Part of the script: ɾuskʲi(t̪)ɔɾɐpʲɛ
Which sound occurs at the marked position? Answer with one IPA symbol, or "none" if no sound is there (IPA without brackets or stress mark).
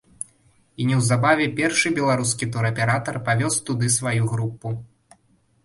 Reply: t̪